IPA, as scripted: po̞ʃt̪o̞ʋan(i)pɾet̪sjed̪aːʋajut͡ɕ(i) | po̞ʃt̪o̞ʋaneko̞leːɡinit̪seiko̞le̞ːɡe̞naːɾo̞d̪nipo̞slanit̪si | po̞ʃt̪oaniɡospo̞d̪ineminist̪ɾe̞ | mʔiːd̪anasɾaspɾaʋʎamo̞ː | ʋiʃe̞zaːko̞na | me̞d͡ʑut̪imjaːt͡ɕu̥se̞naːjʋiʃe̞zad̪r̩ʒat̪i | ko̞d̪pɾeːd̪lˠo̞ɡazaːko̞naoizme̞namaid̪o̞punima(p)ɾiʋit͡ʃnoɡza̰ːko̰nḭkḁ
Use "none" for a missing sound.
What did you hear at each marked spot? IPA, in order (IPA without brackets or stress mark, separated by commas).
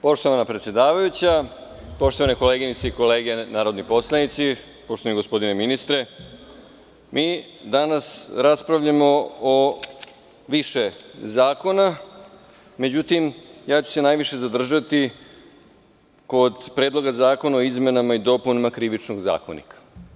a, a, k